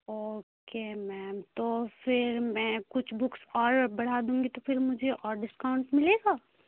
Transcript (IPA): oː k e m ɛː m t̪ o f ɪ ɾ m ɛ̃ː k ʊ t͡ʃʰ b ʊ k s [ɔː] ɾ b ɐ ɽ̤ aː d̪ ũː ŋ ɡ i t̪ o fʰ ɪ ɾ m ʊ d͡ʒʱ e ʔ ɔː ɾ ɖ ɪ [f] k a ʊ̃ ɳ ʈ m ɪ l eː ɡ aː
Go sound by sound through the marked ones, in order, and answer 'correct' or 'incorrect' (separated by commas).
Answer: correct, incorrect